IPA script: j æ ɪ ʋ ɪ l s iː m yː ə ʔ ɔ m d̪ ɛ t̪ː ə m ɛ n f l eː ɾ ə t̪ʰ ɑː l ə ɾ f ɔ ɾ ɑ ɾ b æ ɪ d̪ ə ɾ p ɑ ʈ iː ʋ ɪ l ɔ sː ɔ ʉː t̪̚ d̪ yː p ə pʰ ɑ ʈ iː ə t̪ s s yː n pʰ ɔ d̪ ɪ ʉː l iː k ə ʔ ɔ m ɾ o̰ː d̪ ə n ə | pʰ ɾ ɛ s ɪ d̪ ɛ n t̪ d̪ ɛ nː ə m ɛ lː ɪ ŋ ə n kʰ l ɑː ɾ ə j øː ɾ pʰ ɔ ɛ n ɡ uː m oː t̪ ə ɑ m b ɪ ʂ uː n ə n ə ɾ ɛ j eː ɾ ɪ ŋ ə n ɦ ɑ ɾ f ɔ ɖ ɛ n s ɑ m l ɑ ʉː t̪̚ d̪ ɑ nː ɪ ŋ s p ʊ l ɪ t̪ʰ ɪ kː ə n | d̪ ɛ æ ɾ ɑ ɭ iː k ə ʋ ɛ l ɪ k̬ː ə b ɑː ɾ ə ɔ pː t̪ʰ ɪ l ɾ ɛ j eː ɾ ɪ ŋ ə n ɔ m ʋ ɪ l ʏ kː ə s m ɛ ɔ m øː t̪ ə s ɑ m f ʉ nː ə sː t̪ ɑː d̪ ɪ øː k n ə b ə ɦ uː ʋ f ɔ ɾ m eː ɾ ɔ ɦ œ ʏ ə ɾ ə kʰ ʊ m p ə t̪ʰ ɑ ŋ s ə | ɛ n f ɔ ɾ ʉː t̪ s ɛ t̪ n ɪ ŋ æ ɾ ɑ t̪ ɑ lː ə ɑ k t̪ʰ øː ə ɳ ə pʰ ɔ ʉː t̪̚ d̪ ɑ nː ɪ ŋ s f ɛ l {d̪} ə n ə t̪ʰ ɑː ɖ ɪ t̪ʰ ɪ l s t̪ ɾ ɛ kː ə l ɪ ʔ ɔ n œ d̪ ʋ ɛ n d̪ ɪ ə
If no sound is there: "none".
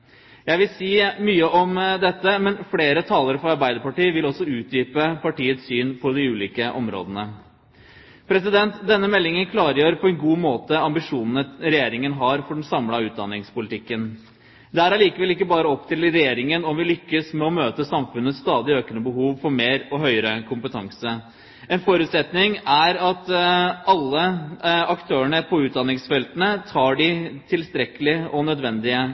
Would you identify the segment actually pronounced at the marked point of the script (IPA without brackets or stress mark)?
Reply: t̪